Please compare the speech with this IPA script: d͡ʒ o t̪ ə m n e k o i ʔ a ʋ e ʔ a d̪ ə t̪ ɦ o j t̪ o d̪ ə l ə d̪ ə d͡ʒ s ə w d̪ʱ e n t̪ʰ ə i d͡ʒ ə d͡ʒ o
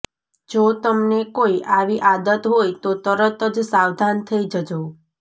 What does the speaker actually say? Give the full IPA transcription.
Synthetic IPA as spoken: d͡ʒ o t̪ ə m n e k o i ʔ a ʋ i ʔ a d̪ ə t̪ ɦ o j t̪ o t̪ ə ɾ ə t̪ ə d͡ʒ s a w d̪ʱ a n t̪ʰ ə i d͡ʒ ə d͡ʒ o